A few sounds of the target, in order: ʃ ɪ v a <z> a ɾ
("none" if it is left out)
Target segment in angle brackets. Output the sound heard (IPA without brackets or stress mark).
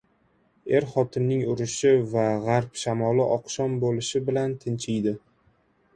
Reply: ʁ